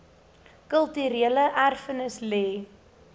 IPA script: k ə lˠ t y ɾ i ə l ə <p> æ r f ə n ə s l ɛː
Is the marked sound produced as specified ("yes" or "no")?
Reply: no